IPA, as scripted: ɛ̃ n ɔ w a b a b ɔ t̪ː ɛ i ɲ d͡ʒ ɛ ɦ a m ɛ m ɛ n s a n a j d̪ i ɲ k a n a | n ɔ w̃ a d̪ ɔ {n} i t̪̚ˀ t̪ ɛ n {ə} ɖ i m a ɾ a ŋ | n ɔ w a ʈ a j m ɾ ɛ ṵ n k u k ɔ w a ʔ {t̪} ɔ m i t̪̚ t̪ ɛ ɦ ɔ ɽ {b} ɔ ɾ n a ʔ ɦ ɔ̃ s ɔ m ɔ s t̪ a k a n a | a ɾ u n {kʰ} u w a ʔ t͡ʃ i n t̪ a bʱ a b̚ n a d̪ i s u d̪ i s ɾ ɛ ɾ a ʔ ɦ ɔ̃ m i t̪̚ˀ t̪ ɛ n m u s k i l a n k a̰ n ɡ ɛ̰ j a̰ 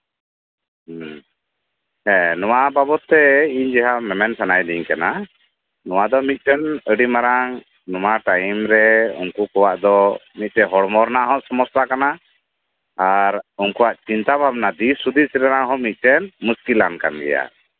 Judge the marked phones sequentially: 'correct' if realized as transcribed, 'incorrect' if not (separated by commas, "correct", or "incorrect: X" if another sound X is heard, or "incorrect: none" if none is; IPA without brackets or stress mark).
incorrect: m, correct, incorrect: d̪, incorrect: m, incorrect: k